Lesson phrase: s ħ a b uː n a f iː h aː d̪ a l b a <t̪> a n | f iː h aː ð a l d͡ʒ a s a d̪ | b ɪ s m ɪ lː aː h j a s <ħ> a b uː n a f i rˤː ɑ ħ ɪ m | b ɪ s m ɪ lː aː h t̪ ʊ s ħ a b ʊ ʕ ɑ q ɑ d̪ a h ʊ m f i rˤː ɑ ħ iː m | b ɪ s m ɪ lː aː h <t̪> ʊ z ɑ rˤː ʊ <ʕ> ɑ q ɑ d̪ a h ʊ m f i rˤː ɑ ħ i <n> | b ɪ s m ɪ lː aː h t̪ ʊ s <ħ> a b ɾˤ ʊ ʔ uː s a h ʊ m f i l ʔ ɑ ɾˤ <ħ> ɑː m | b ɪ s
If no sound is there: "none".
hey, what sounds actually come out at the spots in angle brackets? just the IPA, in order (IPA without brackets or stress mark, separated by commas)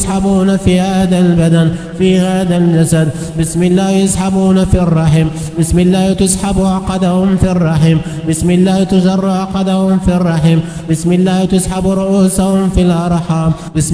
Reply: d̪, ħ, t̪, ʕ, m, ħ, ħ